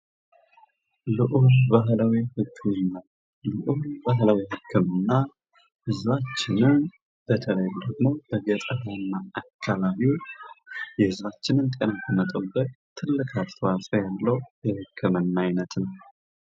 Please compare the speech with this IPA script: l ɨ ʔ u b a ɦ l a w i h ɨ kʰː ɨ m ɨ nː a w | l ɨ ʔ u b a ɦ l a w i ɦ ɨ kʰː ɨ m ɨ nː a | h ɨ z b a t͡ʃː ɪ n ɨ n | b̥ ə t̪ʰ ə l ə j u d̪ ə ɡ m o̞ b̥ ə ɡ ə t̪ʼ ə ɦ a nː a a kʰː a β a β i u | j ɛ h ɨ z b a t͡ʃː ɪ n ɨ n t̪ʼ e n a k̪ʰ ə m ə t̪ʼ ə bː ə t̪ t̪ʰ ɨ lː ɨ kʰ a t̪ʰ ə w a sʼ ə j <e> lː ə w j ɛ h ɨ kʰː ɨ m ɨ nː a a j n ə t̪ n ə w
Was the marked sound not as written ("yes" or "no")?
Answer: yes